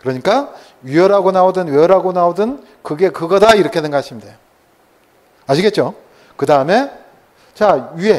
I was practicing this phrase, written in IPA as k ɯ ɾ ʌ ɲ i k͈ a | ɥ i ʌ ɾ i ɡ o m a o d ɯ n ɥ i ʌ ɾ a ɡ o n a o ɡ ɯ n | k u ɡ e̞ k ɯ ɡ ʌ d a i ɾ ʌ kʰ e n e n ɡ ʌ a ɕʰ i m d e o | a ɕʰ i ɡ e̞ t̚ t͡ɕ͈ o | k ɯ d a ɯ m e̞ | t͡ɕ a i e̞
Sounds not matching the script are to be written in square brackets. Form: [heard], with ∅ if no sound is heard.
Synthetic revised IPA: k ɯ ɾ ʌ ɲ i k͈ a | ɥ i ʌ ɾ [a] ɡ o [n] a o d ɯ n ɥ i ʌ ɾ a ɡ o n a o [d] ɯ n | k [ɯ] ɡ e̞ k ɯ ɡ ʌ d a i ɾ ʌ kʰ e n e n ɡ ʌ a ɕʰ i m d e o | a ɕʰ i ɡ e̞ t̚ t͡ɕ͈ o | k ɯ d a ɯ m e̞ | t͡ɕ a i e̞